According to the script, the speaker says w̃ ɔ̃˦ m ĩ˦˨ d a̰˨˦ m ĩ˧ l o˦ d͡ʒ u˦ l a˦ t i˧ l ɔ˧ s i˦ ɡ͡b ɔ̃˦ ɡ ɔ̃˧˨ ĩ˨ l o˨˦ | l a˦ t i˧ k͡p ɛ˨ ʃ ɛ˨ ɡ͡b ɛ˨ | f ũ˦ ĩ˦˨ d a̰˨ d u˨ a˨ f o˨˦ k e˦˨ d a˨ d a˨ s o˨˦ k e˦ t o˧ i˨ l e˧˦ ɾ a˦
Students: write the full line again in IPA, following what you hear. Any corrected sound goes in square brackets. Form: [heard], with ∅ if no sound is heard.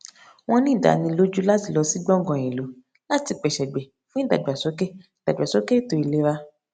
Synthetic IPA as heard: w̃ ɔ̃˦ [n] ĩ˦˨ d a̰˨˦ [n] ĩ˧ l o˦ d͡ʒ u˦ l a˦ t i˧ l ɔ˧ s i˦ ɡ͡b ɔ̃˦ ɡ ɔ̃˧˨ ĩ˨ l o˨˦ | l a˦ t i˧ k͡p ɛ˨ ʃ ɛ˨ ɡ͡b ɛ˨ | f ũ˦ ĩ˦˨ d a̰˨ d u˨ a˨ [s] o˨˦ k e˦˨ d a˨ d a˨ s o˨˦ k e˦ t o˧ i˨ l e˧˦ ɾ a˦